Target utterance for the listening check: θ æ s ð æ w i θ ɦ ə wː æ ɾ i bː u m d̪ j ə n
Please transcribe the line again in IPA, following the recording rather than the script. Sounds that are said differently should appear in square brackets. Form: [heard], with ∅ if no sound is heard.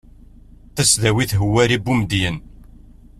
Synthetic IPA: θ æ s ð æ w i θ ɦ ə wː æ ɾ i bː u m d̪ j ə n